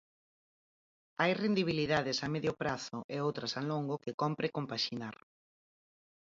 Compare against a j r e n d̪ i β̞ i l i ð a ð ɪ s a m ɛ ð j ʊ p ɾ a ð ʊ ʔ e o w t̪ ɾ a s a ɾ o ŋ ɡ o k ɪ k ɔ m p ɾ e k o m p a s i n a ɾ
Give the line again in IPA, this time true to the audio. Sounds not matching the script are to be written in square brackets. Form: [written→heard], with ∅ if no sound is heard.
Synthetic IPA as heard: a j r e n d̪ i β̞ i l i ð a ð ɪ s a m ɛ ð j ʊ p ɾ a [ð→θ] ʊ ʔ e o w t̪ ɾ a s a [ɾ→l] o ŋ ɡ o k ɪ k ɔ m p ɾ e k o m p a [s→ʃ] i n a ɾ